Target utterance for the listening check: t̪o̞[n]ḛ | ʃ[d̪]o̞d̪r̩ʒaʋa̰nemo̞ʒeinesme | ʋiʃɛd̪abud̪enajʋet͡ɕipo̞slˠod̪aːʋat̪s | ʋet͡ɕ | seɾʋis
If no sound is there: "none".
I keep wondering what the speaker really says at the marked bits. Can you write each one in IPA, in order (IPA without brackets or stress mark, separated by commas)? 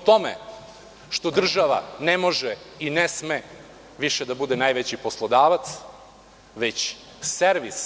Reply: m, t̪